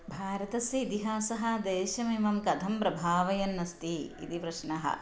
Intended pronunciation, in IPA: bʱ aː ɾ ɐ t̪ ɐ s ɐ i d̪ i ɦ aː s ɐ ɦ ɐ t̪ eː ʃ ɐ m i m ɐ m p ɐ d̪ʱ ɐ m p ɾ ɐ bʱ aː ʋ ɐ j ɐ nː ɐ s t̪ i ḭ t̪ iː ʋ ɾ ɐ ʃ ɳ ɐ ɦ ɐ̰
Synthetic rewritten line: bʱ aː ɾ ɐ t̪ ɐ s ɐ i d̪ i ɦ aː s ɐ ɦ ɐ d̪ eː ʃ ɐ m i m ɐ m k ɐ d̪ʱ ɐ m p ɾ ɐ bʱ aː ʋ ɐ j ɐ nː ɐ s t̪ i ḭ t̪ i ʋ ɾ ɐ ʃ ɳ ɐ ɦ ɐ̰